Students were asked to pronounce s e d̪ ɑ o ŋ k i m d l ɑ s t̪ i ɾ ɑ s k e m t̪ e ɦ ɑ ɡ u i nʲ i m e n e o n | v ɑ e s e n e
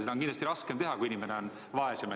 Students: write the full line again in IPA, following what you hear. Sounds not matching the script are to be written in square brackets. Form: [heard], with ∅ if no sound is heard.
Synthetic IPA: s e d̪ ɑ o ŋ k i [n] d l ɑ s t̪ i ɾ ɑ s k e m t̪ e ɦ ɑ [k] u i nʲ i m e n e o n | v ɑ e s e [m] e

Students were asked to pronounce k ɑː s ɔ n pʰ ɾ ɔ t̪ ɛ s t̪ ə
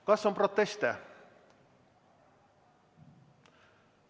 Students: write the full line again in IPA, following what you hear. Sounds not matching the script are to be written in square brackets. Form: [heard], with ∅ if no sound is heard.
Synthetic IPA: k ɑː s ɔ [m] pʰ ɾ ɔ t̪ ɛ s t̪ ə

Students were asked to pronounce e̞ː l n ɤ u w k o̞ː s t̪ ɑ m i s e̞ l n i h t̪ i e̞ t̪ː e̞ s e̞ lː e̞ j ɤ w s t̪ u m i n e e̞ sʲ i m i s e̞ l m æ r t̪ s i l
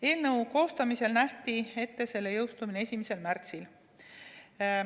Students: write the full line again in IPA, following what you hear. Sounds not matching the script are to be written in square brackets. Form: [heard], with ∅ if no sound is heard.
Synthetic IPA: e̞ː l n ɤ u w k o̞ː s t̪ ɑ m i s e̞ l n [æ] h t̪ i e̞ t̪ː e̞ s e̞ lː e̞ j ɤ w s t̪ u m i n e e̞ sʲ i m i s e̞ l m æ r t̪ s i l

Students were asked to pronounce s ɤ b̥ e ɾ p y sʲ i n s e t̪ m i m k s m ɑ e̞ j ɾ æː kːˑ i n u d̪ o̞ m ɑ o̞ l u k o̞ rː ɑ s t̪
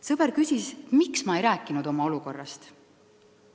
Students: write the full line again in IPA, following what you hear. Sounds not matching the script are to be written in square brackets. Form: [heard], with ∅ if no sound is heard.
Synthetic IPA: s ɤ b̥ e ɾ [k] y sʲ i [∅] s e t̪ m i [∅] k s m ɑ e̞ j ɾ æː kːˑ i n u d̪ o̞ m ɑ o̞ l u k o̞ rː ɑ s t̪

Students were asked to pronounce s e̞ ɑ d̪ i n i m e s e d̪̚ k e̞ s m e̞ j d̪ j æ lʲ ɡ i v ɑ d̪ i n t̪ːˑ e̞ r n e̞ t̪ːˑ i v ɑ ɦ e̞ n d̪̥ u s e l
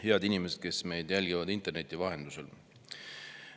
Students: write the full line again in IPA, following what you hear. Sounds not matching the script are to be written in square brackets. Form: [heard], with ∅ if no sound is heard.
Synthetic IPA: [h] e̞ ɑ d̪ i n i m e s e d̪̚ k e̞ s m e̞ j d̪ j æ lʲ ɡ i v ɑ d̪ i n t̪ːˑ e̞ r n e̞ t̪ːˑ i v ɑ ɦ e̞ n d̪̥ u s e l

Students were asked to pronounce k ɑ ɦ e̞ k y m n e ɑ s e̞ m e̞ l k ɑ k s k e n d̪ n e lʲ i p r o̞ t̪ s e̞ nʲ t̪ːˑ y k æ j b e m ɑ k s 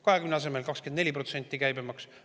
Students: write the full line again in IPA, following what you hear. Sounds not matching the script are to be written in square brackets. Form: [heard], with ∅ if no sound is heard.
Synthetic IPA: k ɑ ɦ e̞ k y m n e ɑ s e̞ m e̞ l k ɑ k s k e n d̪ n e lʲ i p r o̞ t̪ s e̞ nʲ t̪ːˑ [i] k æ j b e m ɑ k s

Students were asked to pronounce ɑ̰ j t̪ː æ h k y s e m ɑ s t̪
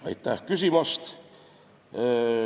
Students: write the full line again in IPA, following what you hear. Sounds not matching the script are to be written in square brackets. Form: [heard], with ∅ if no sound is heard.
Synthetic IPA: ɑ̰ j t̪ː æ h k y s [i] m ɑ s t̪

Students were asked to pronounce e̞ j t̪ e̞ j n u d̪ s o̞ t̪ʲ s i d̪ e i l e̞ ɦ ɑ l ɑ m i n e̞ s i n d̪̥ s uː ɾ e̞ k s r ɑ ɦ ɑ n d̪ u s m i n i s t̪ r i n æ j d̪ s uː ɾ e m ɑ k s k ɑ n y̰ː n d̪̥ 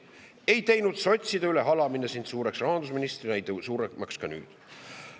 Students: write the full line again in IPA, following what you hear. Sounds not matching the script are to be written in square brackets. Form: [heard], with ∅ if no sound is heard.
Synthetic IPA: e̞ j t̪ e̞ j n u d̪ s o̞ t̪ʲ s i d̪ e [y] l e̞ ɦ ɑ l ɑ m i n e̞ s i n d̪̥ s uː ɾ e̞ k s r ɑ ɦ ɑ n d̪ u s m i n i s t̪ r i n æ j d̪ s uː ɾ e m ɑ k s k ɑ n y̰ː [∅] d̪̥

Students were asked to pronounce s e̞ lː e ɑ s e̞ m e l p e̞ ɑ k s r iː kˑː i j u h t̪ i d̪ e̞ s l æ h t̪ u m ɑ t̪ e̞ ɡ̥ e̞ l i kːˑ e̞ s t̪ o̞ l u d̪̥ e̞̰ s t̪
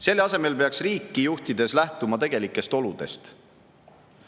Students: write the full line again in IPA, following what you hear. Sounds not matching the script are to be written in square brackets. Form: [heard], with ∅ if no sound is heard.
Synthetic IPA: s e̞ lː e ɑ s e̞ m e l p e̞ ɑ k s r iː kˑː i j u h t̪ i d̪ e̞ s l æ h t̪ u m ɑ t̪ e̞ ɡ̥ e̞ l i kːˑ e̞ s t̪ o̞ l u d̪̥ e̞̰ s t̪

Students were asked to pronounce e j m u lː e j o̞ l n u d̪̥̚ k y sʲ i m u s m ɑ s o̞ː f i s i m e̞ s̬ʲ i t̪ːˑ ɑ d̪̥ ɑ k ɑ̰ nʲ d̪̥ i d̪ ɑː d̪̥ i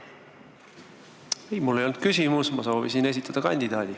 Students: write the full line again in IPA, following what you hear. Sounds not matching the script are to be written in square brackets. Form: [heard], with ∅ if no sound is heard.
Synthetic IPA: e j m u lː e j o̞ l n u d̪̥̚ k y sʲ i m u s m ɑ s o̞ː [v] i s i [n] e̞ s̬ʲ i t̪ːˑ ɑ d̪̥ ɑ k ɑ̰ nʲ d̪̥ i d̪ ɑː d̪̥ i

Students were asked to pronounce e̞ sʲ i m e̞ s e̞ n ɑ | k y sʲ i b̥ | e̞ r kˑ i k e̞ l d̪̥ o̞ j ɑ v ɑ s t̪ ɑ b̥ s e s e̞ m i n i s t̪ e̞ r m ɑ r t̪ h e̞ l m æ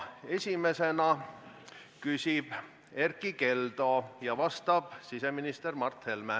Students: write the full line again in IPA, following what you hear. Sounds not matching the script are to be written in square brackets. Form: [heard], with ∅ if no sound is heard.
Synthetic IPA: e̞ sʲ i m e̞ s e̞ n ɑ | k y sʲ i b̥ | e̞ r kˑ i k e̞ l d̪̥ o̞ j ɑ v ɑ s t̪ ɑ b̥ s [i] s e̞ m i n i s t̪ e̞ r m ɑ r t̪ h e̞ l m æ

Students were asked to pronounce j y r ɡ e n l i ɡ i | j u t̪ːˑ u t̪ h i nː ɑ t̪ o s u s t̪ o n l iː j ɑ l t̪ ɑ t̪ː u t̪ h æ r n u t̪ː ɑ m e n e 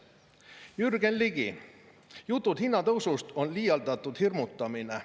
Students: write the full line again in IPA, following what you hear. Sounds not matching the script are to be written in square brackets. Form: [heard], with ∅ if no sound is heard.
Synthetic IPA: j y r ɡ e n l i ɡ i | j u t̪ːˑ u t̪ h i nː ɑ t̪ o s u s t̪ o n l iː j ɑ l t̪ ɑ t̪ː u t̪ h [i] r [m] u t̪ː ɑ m [i] n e

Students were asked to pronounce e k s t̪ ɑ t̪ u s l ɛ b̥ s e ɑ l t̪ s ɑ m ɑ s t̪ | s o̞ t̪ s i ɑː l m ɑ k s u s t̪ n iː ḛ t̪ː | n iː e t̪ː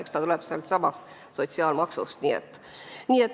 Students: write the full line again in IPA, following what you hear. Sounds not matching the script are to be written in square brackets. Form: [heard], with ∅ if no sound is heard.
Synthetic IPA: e k s t̪ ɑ t̪ u [∅] l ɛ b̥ s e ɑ l t̪ s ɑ m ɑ s t̪ | s o̞ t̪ s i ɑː l m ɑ k s u s t̪ n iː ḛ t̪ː | n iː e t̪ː

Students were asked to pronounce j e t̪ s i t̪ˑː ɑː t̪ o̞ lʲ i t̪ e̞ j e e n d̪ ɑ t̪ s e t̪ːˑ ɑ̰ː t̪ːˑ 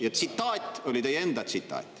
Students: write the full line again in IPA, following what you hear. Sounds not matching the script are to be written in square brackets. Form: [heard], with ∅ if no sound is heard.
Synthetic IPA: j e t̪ s i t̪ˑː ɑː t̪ o̞ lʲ i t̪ e̞ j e e n d̪ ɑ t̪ s [i] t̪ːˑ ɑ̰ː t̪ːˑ

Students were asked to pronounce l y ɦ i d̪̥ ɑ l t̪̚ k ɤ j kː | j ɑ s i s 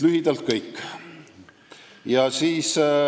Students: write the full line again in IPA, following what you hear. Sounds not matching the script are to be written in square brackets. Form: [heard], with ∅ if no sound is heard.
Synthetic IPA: l y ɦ i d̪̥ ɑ l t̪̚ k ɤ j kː | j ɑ s [iː] s

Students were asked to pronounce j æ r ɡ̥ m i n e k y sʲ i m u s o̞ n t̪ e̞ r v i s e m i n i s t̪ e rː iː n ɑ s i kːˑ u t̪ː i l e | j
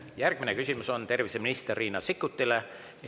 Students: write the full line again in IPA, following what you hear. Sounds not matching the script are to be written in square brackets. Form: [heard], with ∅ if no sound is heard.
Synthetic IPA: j æ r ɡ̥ m i n e k y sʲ i m u s o̞ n t̪ e̞ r v i s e m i n i s t̪ e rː iː n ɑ s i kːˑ u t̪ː i l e | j

